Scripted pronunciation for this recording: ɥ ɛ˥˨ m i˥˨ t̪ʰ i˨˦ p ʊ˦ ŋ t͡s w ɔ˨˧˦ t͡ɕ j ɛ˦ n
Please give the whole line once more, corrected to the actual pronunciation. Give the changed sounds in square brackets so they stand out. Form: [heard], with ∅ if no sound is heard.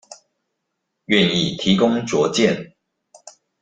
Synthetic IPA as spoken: ɥ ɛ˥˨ [n] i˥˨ t̪ʰ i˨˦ [k] ʊ˦ ŋ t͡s w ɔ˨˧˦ t͡ɕ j [ɛ˥˨] n